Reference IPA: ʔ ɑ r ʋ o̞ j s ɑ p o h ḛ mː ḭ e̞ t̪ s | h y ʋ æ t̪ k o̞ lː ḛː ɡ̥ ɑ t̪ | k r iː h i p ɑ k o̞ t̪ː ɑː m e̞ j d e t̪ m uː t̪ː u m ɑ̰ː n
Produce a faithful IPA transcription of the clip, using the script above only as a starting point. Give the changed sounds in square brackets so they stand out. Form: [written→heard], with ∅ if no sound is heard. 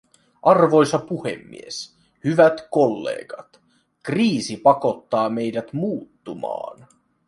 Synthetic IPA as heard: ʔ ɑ r ʋ o̞ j s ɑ p [o→u] h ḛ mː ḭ e̞ [t̪→∅] s | h y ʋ æ t̪ k o̞ lː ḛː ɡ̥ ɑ t̪ | k r iː [h→s] i p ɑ k o̞ t̪ː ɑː m e̞ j d [e→æ] t̪ m uː t̪ː u m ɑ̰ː n